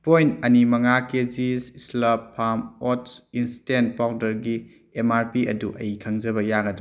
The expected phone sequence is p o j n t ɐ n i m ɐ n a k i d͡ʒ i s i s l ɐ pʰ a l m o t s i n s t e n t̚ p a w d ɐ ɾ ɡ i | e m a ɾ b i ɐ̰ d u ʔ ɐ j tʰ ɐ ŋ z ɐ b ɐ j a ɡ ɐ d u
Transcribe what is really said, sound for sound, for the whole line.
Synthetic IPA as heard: p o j n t ɐ n i m ɐ ŋ a k e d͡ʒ i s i s l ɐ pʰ a m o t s i n s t e n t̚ p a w d ɐ ɾ ɡ i | e m a ɾ p i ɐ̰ d u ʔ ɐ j kʰ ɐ ŋ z ɐ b ɐ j a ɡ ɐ d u